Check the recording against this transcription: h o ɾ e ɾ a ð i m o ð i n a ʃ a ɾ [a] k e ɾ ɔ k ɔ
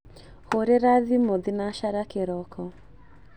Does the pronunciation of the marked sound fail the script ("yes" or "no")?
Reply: no